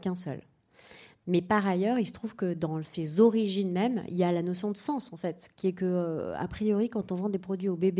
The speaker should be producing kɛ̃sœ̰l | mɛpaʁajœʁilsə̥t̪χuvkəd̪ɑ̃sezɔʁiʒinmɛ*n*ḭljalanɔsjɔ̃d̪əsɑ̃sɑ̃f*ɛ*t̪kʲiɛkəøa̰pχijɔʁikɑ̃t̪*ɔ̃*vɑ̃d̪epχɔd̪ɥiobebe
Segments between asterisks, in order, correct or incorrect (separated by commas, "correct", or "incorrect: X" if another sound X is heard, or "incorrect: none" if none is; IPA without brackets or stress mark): incorrect: m, correct, correct